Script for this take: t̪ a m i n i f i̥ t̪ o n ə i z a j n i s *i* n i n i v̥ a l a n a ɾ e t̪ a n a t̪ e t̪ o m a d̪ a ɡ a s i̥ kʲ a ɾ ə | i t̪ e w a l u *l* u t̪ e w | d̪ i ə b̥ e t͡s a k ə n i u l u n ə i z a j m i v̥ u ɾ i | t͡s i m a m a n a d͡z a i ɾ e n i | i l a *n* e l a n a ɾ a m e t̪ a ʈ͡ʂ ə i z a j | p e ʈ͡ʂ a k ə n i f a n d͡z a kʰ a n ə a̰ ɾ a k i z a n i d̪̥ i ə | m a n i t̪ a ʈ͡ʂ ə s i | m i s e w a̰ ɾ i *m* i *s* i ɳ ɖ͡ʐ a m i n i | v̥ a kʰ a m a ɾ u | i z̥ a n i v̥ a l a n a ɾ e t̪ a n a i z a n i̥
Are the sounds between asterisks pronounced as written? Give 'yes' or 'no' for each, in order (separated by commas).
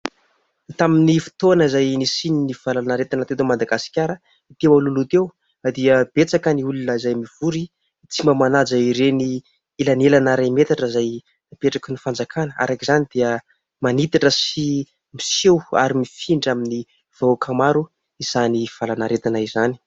yes, yes, yes, yes, no